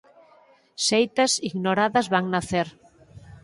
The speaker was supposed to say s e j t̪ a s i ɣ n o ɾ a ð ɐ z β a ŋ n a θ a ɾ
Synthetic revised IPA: s e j t̪ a s i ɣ n o ɾ a ð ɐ z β a ŋ n a θ e ɾ